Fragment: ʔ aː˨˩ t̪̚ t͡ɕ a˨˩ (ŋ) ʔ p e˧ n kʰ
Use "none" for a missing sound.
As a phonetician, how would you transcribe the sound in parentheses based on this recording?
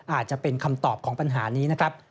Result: none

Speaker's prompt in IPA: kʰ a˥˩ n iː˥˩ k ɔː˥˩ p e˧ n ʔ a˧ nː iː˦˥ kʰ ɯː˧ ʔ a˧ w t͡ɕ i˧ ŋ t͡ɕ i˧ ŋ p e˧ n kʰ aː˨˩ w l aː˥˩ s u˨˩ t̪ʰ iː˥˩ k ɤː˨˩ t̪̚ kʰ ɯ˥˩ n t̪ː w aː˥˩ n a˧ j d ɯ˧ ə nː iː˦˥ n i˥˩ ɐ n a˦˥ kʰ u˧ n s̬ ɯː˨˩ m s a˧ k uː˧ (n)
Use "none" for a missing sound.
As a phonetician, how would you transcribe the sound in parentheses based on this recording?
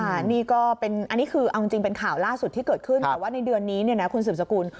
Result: n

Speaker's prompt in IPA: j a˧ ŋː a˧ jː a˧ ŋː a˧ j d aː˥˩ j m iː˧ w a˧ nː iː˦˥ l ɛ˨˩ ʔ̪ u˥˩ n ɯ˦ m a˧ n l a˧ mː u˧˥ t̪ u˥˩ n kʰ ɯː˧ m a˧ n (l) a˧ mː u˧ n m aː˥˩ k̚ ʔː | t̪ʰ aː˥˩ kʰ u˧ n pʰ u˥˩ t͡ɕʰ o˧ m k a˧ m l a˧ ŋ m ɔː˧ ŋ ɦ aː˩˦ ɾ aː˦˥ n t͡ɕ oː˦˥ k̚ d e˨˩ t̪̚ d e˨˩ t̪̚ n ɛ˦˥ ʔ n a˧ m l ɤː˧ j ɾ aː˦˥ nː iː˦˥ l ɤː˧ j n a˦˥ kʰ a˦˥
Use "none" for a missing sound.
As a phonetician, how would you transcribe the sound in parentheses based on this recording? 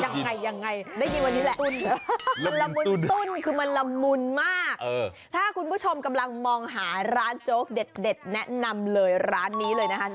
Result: l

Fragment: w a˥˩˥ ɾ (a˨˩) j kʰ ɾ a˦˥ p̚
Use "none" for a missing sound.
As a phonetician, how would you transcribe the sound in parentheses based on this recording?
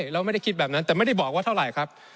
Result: a˨˩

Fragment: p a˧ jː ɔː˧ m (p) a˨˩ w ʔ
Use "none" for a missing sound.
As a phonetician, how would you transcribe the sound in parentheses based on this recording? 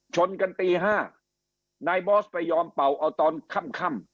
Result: p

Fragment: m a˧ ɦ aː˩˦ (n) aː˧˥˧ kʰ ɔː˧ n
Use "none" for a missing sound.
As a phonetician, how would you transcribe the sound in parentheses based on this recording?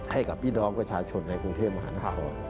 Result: n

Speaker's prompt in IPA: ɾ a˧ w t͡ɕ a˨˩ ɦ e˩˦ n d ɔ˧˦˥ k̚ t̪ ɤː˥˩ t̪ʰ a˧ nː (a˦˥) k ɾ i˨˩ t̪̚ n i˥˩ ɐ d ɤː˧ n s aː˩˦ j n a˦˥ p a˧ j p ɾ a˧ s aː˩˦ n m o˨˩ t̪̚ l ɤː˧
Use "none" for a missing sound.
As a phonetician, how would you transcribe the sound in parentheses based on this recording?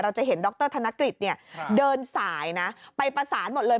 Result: a˦˥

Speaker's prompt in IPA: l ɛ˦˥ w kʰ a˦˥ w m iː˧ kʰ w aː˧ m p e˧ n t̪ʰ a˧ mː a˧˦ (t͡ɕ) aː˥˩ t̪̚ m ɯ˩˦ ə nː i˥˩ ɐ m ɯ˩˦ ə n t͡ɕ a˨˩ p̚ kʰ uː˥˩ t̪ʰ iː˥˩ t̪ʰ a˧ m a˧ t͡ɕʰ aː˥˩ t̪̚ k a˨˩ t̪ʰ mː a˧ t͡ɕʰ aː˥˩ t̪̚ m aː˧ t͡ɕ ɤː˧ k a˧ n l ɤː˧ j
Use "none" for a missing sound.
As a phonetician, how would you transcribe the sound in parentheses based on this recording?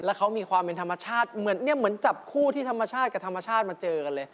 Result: t͡ɕʰ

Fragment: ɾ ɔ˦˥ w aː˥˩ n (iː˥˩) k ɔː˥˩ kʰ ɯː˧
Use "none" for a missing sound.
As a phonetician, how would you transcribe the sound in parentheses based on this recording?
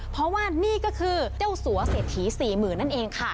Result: iː˥˩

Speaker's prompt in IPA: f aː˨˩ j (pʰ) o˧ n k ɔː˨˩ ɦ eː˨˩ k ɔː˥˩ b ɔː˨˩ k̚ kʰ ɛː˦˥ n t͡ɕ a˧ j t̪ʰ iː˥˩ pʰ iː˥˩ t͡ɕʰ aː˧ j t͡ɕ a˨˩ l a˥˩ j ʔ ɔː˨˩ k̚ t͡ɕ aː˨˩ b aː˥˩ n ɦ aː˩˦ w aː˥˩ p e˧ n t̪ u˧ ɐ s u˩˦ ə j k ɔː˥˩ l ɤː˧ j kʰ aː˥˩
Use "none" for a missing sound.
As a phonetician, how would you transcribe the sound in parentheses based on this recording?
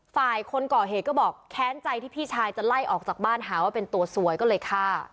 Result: kʰ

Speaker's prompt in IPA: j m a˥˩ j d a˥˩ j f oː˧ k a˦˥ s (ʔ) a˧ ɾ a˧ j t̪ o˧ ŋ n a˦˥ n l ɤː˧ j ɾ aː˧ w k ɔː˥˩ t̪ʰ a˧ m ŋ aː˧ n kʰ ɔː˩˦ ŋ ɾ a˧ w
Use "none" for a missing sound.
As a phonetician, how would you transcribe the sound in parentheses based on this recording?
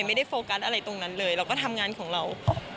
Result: ʔ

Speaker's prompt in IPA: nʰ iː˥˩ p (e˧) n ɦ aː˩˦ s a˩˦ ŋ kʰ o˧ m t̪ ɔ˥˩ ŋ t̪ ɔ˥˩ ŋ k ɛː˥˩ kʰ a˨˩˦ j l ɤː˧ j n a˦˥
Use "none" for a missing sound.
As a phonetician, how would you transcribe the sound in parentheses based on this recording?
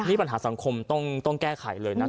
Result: a˧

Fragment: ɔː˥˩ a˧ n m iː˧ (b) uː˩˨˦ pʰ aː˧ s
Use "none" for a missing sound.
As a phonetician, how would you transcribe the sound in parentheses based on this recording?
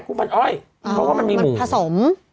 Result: m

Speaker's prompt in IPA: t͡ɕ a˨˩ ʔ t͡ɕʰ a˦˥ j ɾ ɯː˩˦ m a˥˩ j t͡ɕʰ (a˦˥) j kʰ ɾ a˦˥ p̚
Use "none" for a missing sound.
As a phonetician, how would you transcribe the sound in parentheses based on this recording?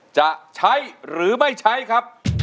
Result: a˦˥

